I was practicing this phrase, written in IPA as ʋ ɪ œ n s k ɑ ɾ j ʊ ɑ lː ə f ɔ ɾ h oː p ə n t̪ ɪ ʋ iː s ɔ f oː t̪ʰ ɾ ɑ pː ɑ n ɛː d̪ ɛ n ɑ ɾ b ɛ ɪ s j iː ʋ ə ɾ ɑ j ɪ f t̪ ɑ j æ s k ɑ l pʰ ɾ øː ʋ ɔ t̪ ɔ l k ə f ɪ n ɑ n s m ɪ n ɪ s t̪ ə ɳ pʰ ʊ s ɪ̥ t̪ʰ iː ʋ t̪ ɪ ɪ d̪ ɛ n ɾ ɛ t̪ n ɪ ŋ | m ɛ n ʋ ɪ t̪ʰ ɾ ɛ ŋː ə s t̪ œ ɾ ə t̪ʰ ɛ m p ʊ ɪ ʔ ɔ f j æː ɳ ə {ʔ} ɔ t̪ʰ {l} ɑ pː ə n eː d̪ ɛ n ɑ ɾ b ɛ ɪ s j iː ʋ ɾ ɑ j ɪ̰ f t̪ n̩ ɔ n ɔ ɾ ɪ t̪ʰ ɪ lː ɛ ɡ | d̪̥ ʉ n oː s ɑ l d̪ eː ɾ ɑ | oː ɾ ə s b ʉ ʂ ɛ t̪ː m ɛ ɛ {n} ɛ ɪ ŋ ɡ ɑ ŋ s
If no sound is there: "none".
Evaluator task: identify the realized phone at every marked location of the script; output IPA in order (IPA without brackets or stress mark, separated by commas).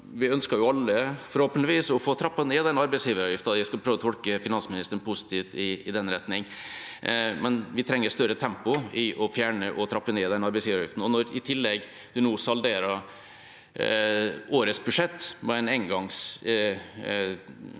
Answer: ʔ, ɾ, n